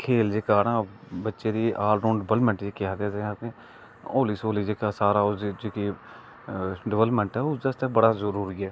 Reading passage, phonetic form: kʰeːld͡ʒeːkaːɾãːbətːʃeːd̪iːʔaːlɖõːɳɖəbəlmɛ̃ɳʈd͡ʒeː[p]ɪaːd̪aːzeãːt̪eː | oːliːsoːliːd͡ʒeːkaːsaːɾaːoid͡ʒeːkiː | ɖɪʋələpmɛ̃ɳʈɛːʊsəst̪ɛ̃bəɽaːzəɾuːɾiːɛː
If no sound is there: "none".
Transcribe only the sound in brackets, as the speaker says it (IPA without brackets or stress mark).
k